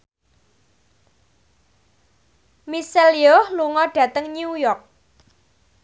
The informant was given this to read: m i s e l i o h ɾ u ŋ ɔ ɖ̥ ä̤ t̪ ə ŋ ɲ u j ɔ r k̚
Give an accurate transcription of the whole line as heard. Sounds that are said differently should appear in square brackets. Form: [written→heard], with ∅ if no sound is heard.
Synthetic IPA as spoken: m i s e l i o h [ɾ→l] u ŋ ɔ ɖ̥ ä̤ t̪ ə ŋ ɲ u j ɔ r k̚